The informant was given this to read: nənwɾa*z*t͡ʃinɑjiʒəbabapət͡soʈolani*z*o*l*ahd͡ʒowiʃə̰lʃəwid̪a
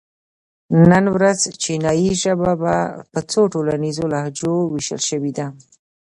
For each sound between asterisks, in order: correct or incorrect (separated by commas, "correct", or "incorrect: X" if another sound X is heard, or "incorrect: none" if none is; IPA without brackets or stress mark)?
correct, correct, correct